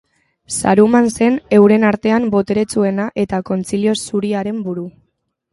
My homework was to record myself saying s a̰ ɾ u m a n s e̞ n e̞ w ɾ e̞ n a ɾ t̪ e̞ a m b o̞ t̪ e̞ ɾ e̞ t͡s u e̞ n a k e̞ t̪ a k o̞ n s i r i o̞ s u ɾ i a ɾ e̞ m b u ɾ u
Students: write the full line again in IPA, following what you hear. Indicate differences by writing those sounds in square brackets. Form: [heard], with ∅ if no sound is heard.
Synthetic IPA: s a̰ ɾ u m a n s e̞ n e̞ w ɾ e̞ n a ɾ t̪ e̞ a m b o̞ t̪ e̞ ɾ e̞ t͡s u e̞ n a [ʔ] e̞ t̪ a k o̞ n [t͡s] i [l] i o̞ s u ɾ i a ɾ e̞ m b u ɾ u